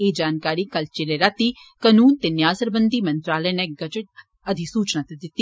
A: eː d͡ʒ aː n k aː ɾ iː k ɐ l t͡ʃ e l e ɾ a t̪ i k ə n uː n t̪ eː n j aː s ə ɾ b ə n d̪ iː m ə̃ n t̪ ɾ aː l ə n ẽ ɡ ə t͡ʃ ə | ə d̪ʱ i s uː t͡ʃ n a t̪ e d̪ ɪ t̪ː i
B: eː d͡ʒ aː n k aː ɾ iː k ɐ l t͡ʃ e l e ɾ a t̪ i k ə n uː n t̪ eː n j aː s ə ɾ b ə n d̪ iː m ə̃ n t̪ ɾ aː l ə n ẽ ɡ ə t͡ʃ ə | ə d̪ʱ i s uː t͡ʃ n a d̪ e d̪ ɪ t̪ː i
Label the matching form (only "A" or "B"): A